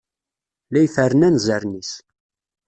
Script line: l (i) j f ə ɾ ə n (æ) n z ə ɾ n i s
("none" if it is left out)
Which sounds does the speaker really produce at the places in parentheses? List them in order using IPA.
æ, æ

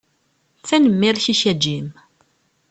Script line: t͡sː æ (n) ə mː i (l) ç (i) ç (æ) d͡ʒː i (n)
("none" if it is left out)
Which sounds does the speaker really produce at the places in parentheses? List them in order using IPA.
n, ɾ, i, æ, m

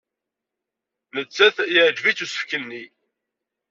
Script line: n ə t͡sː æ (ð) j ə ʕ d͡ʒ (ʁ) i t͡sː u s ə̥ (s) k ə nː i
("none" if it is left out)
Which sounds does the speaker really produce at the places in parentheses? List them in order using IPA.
θ, v, f

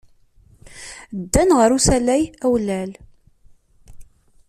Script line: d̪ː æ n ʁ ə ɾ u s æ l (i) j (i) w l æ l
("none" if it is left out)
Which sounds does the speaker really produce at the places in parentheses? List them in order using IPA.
æ, æ

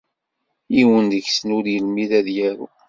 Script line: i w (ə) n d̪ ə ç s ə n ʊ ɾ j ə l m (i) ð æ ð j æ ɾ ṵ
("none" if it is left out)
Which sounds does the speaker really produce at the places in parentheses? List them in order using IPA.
ə, i

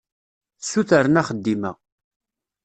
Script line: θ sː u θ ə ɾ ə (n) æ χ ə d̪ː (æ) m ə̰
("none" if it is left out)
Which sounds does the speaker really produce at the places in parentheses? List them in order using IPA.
n, i

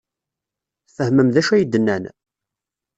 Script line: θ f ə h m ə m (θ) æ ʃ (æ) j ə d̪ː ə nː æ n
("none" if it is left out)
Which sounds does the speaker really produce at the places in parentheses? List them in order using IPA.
ð, æ

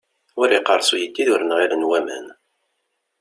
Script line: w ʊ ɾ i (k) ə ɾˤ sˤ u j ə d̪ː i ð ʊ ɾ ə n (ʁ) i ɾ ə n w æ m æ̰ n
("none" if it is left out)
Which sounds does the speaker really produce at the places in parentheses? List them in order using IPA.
q, ʁ

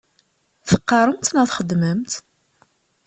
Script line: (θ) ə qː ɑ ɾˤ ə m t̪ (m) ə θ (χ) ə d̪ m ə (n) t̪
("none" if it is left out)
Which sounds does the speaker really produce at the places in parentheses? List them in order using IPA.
θ, n, χ, m

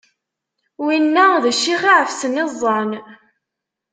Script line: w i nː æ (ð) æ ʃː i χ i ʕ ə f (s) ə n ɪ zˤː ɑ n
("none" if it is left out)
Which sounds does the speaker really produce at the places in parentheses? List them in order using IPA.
ð, s

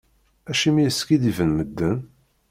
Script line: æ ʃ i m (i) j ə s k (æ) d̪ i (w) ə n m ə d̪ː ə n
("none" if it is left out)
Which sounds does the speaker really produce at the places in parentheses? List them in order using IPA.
i, i, v

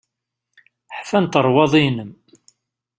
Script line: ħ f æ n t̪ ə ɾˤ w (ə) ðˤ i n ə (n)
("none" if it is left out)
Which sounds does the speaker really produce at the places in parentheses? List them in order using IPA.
ɑ, m

